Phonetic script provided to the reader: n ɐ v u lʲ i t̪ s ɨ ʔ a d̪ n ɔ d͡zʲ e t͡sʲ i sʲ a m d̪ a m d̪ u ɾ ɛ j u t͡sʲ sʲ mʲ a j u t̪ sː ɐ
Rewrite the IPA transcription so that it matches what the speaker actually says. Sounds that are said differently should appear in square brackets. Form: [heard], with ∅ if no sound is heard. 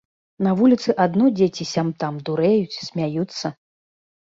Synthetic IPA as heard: n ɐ v u lʲ i t̪ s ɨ ʔ a d̪ n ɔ d͡zʲ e t͡sʲ i sʲ a m [t̪] a m d̪ u ɾ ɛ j u t͡sʲ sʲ mʲ a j u t̪ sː ɐ